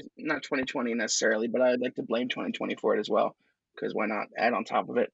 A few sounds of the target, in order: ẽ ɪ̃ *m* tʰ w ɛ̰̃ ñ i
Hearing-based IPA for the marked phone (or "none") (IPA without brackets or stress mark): m